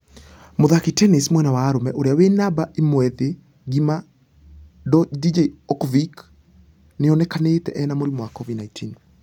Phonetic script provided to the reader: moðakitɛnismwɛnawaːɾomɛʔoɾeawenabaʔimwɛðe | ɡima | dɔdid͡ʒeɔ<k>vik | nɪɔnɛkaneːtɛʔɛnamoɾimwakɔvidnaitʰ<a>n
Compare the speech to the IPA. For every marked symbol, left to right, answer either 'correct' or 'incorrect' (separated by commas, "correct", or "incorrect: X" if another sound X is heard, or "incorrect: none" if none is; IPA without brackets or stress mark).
correct, incorrect: i